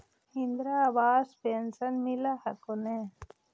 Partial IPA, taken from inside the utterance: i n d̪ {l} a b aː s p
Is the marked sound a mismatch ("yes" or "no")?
yes